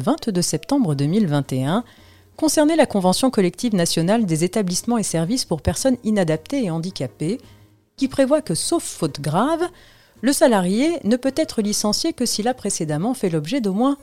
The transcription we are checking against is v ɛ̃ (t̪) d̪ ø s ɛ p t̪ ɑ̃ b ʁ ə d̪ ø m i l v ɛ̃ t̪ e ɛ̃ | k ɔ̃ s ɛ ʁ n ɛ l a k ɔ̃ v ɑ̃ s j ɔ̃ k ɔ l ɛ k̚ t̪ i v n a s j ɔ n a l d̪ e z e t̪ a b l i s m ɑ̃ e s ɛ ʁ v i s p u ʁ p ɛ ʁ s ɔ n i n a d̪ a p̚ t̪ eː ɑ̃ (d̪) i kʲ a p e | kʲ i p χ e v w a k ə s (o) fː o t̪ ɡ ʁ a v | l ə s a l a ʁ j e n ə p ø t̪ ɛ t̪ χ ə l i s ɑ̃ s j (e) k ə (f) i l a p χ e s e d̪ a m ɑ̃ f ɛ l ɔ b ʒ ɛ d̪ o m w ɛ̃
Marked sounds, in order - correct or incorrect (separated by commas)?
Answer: correct, correct, correct, correct, incorrect